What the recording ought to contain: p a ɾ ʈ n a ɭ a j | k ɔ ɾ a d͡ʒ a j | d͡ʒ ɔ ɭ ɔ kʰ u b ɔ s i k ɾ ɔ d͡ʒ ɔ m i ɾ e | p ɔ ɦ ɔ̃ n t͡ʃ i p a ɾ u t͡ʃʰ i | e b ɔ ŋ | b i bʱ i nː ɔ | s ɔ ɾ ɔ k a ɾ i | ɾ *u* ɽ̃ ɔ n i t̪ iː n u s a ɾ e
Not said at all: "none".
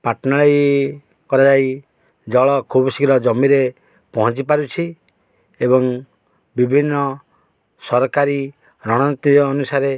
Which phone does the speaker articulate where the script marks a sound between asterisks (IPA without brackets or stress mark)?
ɔ